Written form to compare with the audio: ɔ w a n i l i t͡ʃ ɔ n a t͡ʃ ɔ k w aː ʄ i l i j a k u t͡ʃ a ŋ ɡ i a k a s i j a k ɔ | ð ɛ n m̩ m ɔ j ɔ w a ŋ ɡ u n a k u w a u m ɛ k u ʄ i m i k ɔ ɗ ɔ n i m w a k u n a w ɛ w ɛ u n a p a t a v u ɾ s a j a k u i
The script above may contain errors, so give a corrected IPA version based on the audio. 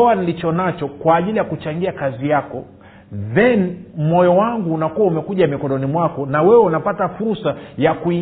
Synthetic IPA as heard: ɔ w a n i l i t͡ʃ ɔ n a t͡ʃ ɔ k w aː ʄ i l i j a k u t͡ʃ a ŋ ɡ i a k a z i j a k ɔ | ð ɛ n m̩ m ɔ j ɔ w a ŋ ɡ uː n a k u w a u m ɛ k u ʄ a m i k ɔ ɗ ɔ n i m w a k ɔ n a w ɛ w ɛ u n a p a t a f u ɾ s a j a k u i